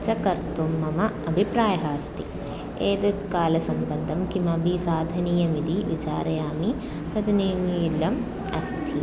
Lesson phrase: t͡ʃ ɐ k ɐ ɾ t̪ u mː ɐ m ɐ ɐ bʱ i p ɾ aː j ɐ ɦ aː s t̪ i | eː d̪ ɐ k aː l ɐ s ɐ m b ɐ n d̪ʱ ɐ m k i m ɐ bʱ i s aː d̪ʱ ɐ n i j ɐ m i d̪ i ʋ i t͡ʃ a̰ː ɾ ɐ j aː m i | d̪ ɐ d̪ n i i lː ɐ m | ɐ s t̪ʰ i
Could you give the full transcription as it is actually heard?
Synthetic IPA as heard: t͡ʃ ɐ k ɐ ɾ t̪ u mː ɐ m ɐ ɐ bʱ i p ɾ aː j ɐ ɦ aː s t̪ i | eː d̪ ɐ k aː l ɐ s ɐ m b ɐ n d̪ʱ ɐ m k i m ɐ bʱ i s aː d̪ʱ ɐ n i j ɐ m i d̪ i ʋ i t͡ʃ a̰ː ɾ ɐ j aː m i | t̪ ɐ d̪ n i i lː ɐ m | ɐ s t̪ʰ i